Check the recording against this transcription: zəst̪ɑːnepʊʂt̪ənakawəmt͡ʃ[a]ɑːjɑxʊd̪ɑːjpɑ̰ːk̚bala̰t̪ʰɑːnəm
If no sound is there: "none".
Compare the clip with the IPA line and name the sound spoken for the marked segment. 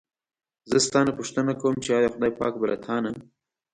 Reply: e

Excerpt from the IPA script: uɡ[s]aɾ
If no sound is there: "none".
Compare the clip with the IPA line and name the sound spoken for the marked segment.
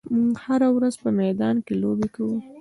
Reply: h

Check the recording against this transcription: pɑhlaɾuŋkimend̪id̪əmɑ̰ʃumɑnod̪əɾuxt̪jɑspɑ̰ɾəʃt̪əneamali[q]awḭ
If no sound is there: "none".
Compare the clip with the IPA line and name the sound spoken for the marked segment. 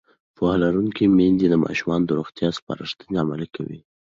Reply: k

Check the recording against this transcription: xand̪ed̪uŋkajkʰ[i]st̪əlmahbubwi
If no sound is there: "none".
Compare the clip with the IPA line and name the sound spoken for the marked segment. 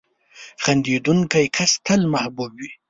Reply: a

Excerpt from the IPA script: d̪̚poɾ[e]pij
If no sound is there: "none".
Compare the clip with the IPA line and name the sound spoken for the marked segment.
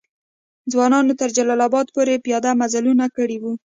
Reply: e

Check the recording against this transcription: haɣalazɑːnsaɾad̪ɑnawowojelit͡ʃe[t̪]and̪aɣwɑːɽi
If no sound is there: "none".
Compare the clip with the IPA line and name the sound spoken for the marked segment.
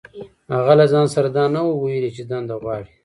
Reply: d̪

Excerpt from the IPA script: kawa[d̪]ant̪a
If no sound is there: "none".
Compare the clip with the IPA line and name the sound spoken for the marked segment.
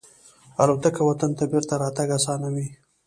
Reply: t̪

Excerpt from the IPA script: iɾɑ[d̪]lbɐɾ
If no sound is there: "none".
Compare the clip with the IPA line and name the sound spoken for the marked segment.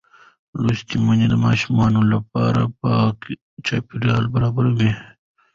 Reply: none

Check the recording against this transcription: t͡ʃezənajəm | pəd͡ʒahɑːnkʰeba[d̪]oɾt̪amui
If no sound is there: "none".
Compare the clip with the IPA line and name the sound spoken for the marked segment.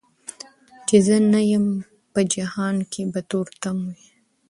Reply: t̪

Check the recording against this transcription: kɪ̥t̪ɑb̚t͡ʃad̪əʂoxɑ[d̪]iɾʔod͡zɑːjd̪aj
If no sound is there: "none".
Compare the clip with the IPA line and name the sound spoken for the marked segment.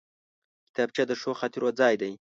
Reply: t̪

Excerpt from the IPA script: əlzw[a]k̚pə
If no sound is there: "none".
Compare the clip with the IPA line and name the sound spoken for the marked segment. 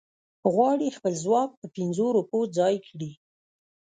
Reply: ɑ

